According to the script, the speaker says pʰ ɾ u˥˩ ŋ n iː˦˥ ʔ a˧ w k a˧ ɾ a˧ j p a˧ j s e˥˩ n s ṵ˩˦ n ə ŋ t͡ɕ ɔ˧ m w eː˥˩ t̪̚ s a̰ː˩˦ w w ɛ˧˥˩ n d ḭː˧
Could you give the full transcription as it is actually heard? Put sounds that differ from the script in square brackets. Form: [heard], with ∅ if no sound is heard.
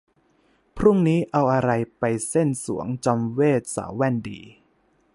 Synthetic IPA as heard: pʰ ɾ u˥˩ ŋ n iː˦˥ ʔ a˧ w [ʔ] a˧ ɾ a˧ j p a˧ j s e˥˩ n s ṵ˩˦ [∅] ə ŋ t͡ɕ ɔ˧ m w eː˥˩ t̪̚ s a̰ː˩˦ w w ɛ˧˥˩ n d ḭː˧